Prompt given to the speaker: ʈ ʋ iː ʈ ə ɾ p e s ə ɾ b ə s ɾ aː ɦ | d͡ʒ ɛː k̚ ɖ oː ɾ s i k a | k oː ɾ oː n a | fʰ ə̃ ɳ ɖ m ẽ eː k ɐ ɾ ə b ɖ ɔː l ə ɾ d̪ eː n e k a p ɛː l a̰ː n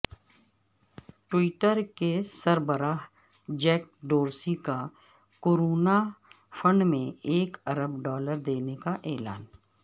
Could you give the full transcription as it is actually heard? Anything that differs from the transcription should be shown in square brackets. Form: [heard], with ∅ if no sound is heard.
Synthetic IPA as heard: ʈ [w] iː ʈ ə ɾ [k] e s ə ɾ b ə [∅] ɾ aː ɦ | d͡ʒ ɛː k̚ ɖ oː ɾ s i k a | k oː ɾ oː n a | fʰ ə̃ ɳ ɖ m ẽ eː k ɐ ɾ ə b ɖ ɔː l ə ɾ d̪ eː n e k a [ʔ] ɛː l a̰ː n

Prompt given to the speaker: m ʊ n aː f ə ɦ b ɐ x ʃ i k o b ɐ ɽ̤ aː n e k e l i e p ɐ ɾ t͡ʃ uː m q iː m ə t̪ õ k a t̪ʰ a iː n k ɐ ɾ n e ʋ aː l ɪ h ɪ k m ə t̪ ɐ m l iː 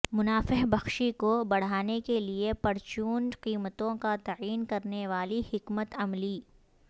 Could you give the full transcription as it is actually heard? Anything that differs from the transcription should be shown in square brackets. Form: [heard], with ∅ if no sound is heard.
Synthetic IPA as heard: m ʊ n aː f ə ɦ b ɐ x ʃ i k o b ɐ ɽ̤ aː n e k e l i e p ɐ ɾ t͡ʃ uː [n] q iː m ə t̪ õ k a [t̪] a iː n k ɐ ɾ n e ʋ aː l [i] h ɪ k m ə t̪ ɐ m l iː

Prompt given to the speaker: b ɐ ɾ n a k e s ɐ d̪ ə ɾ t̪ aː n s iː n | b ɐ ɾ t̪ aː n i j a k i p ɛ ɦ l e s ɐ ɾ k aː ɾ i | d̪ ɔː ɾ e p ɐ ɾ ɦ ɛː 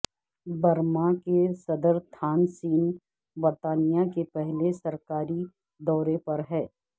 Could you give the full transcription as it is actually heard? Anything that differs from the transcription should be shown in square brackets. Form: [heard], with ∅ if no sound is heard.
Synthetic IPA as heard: b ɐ ɾ [m] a k e s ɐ d̪ ə ɾ [t̪ʰ] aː n s iː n | b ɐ ɾ t̪ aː n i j a k [e] p ɛ ɦ l e s ɐ ɾ k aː ɾ i | d̪ ɔː ɾ e p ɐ ɾ ɦ ɛː

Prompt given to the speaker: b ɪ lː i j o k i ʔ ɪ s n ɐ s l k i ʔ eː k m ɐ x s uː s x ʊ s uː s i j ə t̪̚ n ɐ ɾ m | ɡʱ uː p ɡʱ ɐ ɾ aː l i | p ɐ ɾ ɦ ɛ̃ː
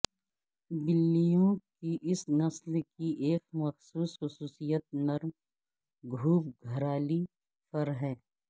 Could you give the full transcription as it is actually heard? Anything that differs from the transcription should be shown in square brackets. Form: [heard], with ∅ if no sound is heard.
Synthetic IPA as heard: b ɪ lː i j [õ] k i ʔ ɪ s n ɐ s l k i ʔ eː k m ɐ x s uː s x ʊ s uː s i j ə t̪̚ n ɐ ɾ m | ɡʱ uː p ɡʱ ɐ ɾ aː l i | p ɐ ɾ ɦ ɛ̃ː

